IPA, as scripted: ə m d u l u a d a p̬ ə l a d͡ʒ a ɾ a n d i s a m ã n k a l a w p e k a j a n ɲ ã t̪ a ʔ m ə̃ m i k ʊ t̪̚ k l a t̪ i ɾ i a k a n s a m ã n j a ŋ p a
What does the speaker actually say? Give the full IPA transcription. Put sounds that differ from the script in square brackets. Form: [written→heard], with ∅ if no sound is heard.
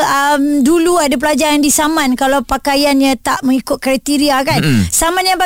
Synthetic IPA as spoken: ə m d u l u a d a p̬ ə l a d͡ʒ a ɾ a n d i s a m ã n k a l a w p [e→a] k a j a n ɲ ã t̪ a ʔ m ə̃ [m→ŋ] i k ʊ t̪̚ k [l→ɾ] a t̪ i ɾ i a k a n s a m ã n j a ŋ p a